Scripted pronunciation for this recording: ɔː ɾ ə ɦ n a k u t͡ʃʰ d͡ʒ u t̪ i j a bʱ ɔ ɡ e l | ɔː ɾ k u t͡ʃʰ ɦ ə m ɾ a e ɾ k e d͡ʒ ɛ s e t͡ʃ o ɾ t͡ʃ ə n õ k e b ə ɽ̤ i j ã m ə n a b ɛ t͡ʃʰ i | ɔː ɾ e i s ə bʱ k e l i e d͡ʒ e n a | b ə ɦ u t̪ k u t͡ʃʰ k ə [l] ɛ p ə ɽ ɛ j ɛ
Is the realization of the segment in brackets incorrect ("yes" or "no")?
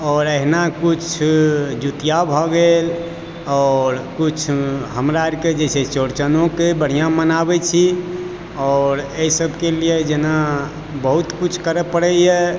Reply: yes